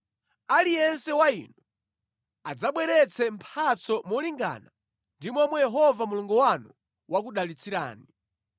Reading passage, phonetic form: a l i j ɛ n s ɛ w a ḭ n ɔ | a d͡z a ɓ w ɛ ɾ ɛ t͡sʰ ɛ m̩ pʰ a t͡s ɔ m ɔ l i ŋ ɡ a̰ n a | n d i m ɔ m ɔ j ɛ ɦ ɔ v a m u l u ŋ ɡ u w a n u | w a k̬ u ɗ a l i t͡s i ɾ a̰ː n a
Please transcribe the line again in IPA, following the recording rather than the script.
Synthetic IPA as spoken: a l i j ɛ n s ɛ w a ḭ n ɔ | a d͡z a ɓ w ɛ ɾ ɛ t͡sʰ ɛ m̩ pʰ a t͡s ɔ m ɔ l i ŋ ɡ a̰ n a | n d i m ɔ m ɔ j ɛ ɦ ɔ v a m u l u ŋ ɡ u w a n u | w a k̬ u ɗ a l i t͡s i ɾ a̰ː n i